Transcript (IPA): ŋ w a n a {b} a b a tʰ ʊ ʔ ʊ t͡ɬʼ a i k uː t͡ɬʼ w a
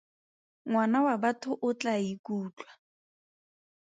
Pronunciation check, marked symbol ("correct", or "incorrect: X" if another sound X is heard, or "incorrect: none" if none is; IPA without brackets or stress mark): incorrect: w